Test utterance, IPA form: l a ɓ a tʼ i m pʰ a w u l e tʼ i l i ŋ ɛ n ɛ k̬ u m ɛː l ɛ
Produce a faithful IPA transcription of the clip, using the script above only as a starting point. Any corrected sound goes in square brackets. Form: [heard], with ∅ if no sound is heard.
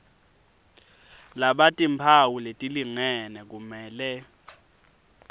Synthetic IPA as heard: l a ɓ a tʼ i m pʰ a w u l e tʼ i l i ŋ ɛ n ɛ k̬ u m ɛː l ɛ